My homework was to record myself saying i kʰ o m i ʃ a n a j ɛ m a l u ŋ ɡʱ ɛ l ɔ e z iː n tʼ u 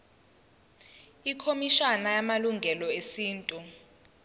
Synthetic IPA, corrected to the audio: i kʰ o m i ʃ a n a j a m a l u ŋ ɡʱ ɛ l ɔ e s iː n tʼ u